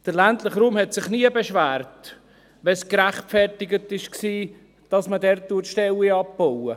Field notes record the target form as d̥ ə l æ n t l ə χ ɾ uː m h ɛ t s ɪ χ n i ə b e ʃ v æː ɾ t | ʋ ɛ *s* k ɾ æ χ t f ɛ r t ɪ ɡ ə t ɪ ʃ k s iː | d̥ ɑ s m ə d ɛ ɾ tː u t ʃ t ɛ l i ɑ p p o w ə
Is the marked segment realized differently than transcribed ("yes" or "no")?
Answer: no